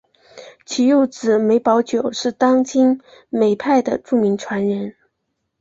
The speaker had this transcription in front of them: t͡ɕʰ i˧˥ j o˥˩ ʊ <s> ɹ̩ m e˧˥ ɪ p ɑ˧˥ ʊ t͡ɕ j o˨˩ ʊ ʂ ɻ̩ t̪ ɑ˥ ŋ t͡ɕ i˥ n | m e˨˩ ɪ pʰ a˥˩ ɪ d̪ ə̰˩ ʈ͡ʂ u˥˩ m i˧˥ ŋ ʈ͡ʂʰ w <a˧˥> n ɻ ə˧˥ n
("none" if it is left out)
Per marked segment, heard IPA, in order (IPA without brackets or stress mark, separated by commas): t͡s, a˧˥